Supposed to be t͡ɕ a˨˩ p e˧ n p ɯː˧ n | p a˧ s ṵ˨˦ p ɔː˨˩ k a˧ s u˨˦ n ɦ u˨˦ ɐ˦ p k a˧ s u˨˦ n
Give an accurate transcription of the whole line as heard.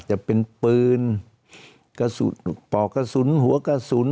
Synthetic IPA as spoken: t͡ɕ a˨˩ p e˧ n p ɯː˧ n | k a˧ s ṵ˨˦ p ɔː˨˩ k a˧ s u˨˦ n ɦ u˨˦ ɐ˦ k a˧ s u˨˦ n